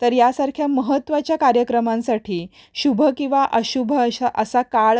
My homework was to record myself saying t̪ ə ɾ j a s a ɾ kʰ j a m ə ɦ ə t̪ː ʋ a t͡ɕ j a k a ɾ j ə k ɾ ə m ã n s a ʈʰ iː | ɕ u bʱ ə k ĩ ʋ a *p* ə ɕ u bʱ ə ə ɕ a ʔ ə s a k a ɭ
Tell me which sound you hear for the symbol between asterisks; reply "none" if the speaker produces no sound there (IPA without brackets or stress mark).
ʔ